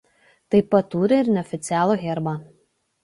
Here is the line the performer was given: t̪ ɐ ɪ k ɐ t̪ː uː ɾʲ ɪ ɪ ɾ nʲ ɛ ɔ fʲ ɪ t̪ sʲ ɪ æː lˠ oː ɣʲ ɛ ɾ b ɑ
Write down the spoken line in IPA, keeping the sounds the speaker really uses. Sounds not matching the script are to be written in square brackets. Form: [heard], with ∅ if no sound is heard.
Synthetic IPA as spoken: t̪ ɐ ɪ [p] ɐ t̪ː uː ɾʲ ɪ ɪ ɾ nʲ ɛ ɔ fʲ ɪ t̪ sʲ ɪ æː lˠ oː ɣʲ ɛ ɾ b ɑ